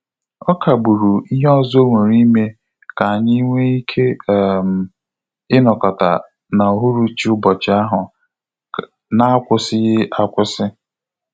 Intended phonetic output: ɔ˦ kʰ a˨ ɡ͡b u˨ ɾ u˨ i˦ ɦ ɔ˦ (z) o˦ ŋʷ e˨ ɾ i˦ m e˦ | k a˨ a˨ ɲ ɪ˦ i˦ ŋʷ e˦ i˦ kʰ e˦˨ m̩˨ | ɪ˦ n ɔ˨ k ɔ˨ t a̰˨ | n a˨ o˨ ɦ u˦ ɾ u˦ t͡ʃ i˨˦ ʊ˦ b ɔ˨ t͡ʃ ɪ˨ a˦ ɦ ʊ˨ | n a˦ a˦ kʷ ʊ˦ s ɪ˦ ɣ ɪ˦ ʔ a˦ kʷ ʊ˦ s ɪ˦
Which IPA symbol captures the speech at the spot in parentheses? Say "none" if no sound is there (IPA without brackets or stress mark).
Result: z